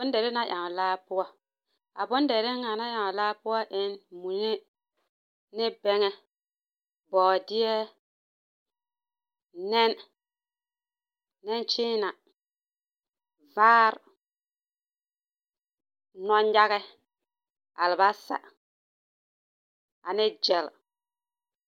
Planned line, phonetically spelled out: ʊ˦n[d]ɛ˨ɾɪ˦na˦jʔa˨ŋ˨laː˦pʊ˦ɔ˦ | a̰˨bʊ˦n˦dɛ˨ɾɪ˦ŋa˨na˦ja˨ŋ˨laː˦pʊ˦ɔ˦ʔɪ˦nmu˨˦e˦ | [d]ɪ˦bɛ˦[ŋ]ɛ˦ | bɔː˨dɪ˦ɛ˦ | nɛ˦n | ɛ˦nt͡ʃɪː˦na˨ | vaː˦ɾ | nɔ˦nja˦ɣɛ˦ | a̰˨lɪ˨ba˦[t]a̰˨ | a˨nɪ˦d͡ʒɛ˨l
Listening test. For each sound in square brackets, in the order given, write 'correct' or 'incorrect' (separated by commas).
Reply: correct, incorrect, correct, incorrect